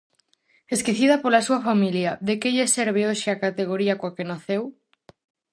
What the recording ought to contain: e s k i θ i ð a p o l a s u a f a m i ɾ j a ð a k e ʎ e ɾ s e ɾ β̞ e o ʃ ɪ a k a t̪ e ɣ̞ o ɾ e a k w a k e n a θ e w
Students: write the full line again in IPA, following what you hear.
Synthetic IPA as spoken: e s k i θ i ð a p o l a s u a f a m i l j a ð e k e ʎ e s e ɾ β̞ e o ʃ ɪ a k a t̪ e ɣ̞ o ɾ i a k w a k e n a θ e w